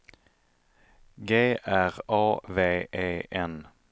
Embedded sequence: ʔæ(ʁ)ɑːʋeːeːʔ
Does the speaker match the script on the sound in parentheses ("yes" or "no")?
yes